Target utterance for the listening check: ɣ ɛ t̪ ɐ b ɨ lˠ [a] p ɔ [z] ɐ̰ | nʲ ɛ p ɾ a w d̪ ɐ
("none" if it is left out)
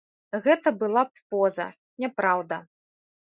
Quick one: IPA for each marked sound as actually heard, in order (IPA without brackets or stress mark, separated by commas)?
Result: a, z